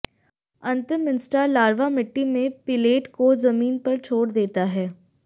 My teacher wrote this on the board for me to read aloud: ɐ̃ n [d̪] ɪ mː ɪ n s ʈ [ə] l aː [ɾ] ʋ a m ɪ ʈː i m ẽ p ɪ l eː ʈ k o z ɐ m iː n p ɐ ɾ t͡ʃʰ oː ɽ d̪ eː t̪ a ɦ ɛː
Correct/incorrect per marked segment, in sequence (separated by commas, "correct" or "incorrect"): incorrect, incorrect, correct